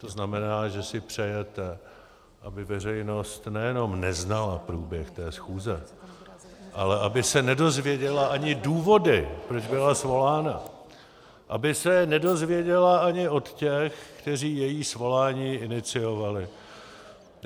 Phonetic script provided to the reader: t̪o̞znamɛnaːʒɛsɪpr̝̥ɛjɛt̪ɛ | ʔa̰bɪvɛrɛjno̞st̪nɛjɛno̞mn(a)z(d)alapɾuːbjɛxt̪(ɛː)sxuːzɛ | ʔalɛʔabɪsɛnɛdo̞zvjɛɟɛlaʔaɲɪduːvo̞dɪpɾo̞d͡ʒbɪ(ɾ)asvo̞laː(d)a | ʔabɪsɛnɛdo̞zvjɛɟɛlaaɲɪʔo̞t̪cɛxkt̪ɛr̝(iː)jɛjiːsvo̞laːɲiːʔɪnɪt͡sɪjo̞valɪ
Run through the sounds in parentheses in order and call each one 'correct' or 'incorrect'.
incorrect, incorrect, correct, incorrect, incorrect, correct

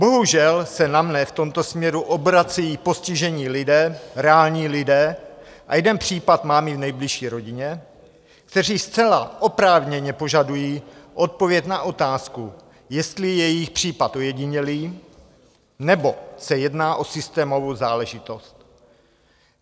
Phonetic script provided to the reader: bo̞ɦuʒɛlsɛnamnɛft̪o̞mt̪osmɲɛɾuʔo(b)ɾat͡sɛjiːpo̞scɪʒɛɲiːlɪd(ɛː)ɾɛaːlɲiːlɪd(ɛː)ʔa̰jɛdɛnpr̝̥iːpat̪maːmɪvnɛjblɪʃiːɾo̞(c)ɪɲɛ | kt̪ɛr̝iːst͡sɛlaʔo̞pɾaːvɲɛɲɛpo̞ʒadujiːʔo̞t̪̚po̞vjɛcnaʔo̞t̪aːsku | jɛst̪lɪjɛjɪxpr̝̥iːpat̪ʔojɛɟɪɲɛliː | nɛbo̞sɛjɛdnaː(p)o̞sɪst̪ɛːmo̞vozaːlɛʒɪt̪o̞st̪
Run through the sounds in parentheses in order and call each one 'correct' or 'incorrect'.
correct, correct, correct, incorrect, incorrect

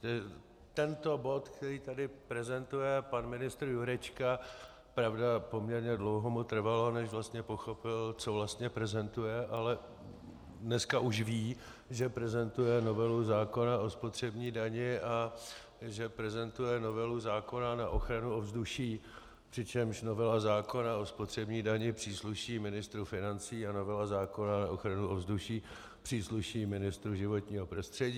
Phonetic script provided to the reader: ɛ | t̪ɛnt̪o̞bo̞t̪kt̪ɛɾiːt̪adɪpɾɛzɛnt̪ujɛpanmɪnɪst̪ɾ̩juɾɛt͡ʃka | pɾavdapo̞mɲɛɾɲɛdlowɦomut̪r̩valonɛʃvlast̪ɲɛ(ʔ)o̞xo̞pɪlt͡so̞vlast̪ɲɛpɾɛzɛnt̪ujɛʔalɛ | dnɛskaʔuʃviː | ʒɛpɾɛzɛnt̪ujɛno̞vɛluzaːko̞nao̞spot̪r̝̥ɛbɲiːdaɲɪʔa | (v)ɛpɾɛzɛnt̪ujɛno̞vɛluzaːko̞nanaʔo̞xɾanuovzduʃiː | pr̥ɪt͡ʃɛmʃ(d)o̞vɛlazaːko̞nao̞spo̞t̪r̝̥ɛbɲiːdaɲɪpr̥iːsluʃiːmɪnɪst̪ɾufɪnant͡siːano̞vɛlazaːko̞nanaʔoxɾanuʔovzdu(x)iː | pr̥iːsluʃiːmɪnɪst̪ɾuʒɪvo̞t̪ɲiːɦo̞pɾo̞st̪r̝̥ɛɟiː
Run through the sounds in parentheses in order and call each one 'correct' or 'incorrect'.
incorrect, incorrect, incorrect, incorrect

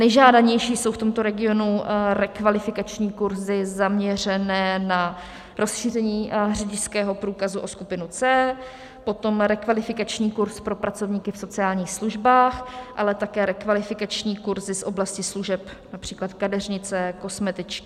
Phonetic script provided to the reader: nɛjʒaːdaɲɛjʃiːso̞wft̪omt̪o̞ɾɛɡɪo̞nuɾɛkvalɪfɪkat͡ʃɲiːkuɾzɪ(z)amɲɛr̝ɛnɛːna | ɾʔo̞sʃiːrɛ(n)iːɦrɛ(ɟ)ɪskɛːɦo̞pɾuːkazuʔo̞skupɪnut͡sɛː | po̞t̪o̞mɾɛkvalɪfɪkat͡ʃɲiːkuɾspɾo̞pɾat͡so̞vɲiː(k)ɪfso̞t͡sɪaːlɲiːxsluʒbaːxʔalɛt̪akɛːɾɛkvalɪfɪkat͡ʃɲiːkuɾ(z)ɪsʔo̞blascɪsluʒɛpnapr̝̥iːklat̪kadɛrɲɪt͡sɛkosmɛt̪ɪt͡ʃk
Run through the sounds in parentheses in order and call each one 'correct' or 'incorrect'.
correct, incorrect, correct, correct, correct

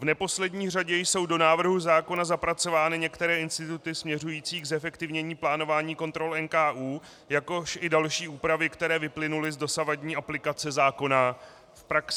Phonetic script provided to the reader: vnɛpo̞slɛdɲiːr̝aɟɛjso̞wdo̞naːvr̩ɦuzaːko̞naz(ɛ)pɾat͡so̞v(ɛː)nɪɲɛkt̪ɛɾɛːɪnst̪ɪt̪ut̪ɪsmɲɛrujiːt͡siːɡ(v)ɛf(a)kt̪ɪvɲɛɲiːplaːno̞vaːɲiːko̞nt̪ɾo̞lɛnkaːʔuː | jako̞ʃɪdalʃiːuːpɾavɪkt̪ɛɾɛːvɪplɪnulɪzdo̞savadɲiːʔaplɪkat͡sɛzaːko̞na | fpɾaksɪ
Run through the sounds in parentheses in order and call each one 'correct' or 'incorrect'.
incorrect, incorrect, incorrect, incorrect

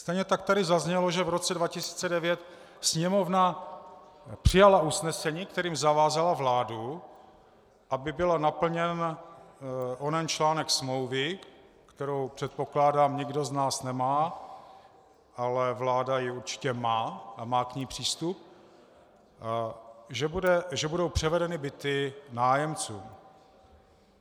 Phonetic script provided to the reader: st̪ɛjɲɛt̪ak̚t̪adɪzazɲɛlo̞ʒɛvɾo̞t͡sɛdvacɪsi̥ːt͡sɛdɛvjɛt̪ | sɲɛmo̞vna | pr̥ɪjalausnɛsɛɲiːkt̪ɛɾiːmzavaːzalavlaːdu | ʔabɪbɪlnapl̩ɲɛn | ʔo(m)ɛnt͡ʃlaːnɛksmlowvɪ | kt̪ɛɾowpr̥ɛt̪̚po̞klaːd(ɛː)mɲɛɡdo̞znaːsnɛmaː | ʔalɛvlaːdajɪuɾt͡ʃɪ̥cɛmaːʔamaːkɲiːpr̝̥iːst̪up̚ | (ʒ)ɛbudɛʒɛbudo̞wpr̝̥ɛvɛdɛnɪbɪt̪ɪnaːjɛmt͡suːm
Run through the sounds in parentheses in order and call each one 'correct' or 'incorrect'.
incorrect, incorrect, correct

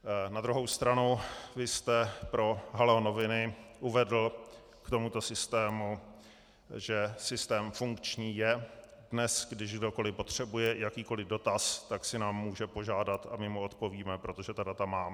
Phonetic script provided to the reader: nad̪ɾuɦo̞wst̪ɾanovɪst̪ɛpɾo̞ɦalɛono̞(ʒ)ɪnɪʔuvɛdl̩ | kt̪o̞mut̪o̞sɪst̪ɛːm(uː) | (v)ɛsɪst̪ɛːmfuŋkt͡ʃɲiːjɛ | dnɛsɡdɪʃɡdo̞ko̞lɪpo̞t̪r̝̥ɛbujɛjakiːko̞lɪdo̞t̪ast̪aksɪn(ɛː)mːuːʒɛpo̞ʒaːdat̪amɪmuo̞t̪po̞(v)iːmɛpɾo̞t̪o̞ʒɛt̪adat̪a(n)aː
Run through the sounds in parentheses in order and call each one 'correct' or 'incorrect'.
incorrect, incorrect, incorrect, incorrect, correct, incorrect

